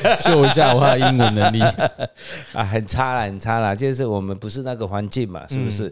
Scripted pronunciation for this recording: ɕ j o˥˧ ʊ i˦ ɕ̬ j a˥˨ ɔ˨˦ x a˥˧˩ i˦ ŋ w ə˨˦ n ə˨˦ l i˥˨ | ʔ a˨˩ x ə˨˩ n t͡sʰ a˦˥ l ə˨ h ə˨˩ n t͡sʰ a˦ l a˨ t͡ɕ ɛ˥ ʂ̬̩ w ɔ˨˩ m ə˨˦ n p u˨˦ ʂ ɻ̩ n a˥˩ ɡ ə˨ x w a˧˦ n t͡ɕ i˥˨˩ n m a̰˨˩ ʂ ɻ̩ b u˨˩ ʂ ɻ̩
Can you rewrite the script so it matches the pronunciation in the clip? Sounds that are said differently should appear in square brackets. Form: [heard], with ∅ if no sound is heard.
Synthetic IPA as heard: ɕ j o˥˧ ʊ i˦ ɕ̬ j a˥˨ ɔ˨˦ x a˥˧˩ i˦ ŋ w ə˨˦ n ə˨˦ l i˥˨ | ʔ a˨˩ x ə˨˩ n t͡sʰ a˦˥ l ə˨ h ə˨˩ n t͡sʰ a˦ l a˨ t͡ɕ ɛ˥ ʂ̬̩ w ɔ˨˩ m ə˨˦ n p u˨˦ ʂ ɻ̩ n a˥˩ ɡ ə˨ x w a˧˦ n t͡ɕ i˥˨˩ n m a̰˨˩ ʂ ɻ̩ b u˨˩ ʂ ɻ̩